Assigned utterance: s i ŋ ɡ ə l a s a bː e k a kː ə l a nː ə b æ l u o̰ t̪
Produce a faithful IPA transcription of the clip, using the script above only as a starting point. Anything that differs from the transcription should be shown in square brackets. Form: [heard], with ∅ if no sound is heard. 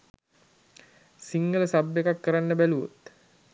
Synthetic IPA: s i ŋ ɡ ə l [ə] s a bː e k a kː ə [ɾ] a nː ə b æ l u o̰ t̪

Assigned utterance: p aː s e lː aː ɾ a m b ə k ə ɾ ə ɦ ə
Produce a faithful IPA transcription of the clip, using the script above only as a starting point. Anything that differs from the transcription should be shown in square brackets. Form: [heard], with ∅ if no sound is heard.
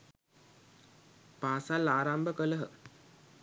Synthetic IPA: p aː s [a] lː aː ɾ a m b ə k ə [l] ə ɦ ə

